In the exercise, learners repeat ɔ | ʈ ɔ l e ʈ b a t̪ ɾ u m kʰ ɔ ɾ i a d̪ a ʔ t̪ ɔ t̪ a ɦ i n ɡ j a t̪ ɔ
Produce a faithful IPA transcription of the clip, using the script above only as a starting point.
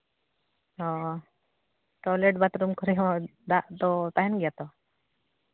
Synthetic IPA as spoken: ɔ | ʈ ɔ l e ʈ b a t̪ ɾ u m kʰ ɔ ɾ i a d̪ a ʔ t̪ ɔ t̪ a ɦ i n ɡ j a t̪ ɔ